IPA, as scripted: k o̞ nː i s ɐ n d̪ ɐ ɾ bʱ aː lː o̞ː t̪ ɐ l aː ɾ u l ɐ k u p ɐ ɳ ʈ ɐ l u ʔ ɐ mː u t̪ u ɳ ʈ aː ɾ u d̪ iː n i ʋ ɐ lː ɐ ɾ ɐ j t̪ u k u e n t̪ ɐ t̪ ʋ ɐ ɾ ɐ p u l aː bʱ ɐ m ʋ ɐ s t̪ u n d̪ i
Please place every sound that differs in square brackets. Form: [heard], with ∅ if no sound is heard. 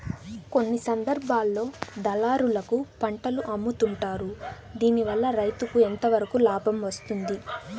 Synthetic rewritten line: k o̞ nː i s ɐ n d̪ ɐ ɾ bʱ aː lː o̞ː [d̪] ɐ l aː ɾ u l ɐ k u p ɐ ɳ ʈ ɐ l u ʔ ɐ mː u t̪ u ɳ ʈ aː ɾ u d̪ iː n i ʋ ɐ lː ɐ ɾ ɐ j t̪ u k u e n t̪ ɐ [∅] ʋ ɐ ɾ ɐ [k] u l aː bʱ ɐ m ʋ ɐ s t̪ u n d̪ i